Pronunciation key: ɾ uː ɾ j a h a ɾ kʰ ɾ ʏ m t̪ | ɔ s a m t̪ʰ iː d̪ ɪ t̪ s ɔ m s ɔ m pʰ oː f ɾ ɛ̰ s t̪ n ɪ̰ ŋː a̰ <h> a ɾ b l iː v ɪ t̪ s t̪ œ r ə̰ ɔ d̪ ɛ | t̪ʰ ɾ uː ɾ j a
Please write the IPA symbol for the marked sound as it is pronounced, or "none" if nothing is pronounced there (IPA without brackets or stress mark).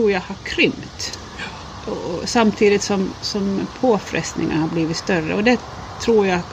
h